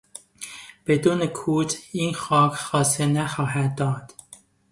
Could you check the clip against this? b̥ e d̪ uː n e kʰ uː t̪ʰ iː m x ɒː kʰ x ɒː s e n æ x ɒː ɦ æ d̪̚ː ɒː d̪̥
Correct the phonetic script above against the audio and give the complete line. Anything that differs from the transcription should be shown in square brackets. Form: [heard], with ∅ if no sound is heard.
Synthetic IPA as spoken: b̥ e d̪ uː n e kʰ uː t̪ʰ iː [n] x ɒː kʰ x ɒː s e n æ x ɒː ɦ æ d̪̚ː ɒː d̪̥